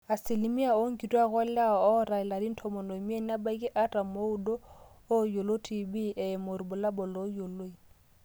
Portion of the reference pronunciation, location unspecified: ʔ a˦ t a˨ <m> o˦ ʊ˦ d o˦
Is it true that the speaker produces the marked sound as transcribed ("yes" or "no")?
yes